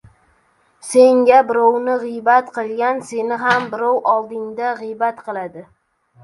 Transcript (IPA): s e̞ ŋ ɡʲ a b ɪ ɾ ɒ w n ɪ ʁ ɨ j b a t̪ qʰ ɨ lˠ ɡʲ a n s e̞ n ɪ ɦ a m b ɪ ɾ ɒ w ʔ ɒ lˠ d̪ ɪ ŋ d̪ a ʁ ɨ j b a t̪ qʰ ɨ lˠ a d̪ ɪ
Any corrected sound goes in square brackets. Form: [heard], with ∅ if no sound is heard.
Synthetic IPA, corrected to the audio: s e̞ ŋ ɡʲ a b ɪ ɾ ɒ w n ɪ ʁ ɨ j b a t̪ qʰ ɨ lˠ ɡʲ a n s e̞ n ɪ ɦ a m b ɪ ɾ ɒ w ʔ ɒ lˠ d̪ ɪ ŋ d̪ a ʁ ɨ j b a t̪ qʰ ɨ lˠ a d̪ ɪ